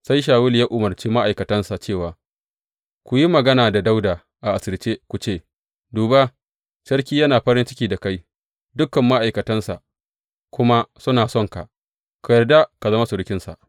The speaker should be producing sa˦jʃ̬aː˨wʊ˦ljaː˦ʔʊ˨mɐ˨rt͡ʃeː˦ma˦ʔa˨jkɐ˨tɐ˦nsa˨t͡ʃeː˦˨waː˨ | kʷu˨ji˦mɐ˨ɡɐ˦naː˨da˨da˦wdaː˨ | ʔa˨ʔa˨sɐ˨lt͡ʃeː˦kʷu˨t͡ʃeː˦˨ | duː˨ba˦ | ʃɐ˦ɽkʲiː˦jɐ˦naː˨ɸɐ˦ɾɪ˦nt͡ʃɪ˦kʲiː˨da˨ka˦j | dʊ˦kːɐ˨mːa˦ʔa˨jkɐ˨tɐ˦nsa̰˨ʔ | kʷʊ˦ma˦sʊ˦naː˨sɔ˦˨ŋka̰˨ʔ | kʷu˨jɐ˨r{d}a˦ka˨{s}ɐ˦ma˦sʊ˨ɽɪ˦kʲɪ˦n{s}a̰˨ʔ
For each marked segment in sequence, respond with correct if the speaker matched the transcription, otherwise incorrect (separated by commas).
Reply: correct, incorrect, correct